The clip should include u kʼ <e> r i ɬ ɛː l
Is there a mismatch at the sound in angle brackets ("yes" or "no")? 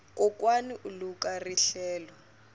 yes